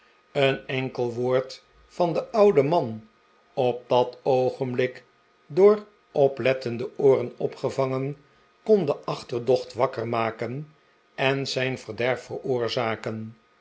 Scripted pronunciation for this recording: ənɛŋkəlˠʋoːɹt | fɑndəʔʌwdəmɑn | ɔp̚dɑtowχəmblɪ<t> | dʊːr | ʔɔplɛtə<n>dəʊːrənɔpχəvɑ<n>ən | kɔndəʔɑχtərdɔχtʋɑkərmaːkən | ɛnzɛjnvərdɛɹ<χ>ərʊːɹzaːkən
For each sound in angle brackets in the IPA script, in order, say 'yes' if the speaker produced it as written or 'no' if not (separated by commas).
no, yes, no, no